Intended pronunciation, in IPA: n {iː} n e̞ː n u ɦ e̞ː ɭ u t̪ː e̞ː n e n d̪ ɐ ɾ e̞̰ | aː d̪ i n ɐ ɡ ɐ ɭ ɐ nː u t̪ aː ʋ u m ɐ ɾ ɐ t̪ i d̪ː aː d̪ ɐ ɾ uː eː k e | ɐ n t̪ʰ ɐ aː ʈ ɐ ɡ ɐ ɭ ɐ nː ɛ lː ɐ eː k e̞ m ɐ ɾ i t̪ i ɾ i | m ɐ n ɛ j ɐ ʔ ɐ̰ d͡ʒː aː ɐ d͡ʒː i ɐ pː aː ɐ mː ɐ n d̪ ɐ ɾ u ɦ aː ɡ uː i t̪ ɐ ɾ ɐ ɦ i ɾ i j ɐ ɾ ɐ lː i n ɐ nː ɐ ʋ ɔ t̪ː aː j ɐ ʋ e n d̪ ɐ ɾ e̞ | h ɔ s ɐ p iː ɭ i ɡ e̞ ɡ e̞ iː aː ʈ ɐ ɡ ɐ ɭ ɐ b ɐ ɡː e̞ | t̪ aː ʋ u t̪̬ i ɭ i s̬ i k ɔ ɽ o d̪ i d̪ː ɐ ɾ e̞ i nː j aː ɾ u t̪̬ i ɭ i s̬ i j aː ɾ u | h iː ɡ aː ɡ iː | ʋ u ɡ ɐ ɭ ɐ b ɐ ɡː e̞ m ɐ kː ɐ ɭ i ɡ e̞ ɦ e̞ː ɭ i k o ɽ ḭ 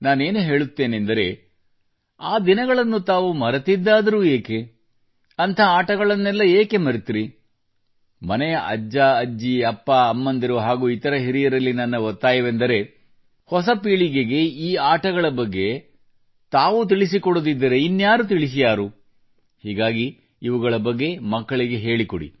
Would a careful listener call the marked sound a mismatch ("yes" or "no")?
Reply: yes